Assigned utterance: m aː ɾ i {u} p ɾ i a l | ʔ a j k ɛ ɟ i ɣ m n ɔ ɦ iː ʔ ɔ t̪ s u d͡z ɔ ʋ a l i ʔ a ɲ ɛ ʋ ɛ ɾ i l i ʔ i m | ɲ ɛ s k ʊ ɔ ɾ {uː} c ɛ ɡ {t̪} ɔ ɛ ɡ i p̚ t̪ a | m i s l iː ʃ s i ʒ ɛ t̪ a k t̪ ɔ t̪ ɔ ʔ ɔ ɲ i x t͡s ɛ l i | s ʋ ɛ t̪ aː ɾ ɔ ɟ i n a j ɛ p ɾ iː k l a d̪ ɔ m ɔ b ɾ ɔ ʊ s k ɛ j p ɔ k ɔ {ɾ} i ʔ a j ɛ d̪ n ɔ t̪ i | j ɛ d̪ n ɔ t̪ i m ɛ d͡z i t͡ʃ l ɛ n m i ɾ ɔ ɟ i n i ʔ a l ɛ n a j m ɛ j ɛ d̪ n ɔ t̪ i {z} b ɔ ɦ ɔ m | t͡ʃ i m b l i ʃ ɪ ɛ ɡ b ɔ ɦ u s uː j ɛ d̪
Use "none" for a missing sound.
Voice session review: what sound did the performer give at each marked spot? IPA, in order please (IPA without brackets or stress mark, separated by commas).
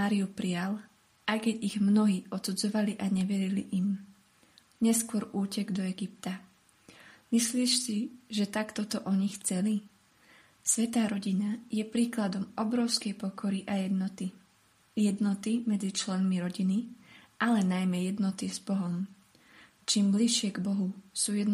u, uː, d̪, ɾ, z